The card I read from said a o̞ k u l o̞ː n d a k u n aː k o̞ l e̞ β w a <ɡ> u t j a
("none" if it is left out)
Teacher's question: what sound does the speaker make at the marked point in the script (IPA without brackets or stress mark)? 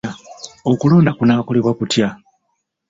k